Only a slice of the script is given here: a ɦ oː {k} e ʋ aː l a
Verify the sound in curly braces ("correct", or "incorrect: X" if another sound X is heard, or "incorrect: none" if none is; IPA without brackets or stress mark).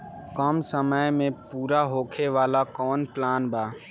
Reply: incorrect: kʰ